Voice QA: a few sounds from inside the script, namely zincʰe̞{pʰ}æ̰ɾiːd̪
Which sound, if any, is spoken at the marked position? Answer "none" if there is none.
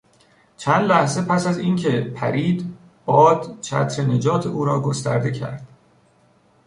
pʰ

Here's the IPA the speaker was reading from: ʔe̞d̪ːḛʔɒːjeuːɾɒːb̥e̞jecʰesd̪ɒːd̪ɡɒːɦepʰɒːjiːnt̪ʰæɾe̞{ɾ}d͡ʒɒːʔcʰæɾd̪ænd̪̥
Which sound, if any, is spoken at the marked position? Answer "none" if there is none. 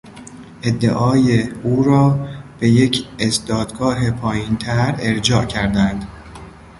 ɾ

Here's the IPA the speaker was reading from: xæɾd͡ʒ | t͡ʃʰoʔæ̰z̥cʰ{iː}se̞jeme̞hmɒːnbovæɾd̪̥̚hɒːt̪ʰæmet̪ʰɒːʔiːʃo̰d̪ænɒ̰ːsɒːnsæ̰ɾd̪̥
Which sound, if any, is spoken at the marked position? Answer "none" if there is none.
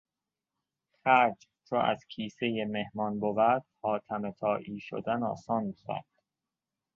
iː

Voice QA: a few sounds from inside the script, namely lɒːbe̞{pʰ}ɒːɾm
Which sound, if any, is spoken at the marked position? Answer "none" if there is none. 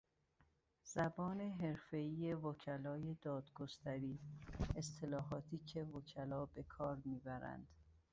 kʰ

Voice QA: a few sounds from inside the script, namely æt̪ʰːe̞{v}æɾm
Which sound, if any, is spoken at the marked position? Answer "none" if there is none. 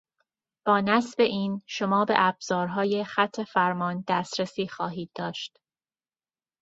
f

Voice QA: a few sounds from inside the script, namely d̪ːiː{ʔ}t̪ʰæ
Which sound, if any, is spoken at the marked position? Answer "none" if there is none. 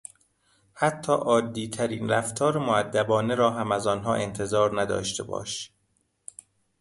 none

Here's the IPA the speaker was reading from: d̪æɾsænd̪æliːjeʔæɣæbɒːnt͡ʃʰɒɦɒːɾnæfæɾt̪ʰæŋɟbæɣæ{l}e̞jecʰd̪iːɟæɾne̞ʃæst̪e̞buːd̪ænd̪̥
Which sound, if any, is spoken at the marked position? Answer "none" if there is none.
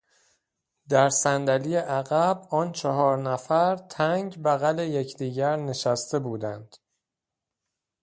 l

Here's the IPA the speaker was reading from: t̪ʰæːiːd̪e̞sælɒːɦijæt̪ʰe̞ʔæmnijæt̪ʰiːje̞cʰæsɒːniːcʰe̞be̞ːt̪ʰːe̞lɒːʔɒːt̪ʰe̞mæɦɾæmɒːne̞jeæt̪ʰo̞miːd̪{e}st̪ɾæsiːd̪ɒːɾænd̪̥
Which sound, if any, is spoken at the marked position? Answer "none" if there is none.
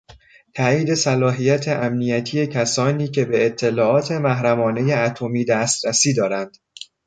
æ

